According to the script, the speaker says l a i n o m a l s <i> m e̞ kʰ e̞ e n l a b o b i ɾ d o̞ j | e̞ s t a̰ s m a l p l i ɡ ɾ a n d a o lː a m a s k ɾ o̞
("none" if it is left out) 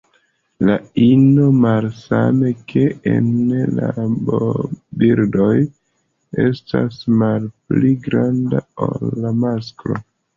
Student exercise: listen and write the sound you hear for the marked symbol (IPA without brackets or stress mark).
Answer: a